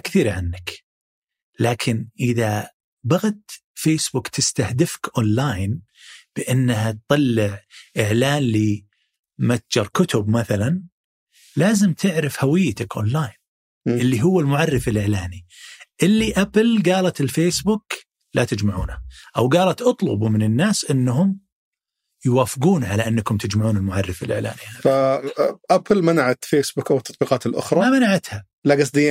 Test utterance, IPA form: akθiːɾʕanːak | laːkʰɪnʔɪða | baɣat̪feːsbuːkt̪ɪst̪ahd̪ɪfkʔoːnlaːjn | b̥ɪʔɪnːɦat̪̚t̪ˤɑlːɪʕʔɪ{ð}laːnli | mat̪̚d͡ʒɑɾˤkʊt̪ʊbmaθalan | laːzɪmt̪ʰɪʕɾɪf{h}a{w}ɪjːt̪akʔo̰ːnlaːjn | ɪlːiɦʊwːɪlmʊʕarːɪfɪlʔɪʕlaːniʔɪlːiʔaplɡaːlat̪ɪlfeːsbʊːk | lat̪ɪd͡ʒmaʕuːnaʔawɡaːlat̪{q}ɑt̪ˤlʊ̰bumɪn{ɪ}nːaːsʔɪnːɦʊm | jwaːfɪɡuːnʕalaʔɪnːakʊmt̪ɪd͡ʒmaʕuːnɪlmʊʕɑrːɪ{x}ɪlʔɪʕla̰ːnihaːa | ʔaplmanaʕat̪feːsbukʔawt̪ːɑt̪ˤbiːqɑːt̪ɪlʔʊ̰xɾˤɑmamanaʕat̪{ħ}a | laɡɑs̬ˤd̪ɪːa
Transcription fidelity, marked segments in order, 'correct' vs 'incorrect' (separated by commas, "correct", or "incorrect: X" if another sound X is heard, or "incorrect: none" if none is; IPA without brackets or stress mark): incorrect: ʕ, correct, correct, incorrect: ʔ, correct, incorrect: f, incorrect: h